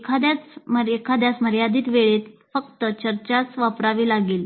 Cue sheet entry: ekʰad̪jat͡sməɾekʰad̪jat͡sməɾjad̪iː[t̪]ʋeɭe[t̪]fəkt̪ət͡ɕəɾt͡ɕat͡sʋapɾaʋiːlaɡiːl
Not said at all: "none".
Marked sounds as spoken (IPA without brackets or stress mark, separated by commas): t̪, t̪